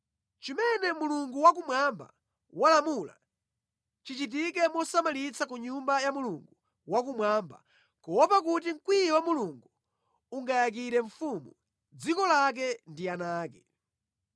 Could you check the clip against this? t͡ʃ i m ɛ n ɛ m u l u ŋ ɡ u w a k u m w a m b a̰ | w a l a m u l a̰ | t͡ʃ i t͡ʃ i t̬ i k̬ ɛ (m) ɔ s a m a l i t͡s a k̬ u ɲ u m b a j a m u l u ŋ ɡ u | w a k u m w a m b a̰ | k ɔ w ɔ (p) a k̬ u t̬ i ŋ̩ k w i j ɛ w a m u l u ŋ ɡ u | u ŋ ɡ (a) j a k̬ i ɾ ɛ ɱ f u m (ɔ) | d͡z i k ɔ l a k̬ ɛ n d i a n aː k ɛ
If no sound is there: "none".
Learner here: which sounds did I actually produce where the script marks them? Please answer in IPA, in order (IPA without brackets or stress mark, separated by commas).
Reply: m, p, a, u